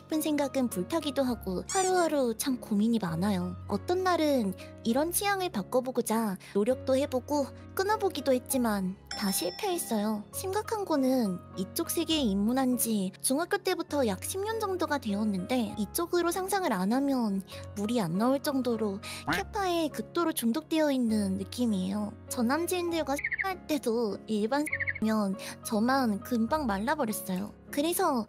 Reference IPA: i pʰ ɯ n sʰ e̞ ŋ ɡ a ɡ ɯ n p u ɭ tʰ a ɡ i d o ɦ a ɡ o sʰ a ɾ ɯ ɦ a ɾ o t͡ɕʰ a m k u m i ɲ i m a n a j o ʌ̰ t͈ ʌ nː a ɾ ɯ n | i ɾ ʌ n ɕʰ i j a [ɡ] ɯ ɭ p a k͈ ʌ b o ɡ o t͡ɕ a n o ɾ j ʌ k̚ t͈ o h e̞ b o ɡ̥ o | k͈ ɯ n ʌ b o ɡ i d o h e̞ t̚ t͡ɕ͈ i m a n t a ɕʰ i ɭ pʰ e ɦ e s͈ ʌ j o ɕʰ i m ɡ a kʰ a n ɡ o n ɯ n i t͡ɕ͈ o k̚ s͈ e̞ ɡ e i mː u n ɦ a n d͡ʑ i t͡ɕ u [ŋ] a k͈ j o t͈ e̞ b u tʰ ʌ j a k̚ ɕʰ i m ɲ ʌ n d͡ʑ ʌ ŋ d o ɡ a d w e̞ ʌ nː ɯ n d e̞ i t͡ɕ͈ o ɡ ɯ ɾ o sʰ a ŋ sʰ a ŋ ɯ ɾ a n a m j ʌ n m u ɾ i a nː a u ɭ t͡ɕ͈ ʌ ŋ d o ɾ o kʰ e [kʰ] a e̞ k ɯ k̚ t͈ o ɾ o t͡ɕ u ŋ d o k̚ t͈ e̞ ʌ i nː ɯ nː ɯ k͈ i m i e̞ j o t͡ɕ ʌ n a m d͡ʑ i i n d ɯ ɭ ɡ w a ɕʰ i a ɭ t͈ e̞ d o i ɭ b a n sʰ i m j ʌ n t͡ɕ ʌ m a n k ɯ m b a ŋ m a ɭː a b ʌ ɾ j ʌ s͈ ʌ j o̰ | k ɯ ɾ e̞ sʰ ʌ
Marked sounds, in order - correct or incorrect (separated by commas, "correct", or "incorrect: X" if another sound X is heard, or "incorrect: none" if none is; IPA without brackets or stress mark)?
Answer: incorrect: ŋ, correct, incorrect: pʰ